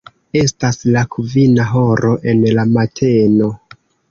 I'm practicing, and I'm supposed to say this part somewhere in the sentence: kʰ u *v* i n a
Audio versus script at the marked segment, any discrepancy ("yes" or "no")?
no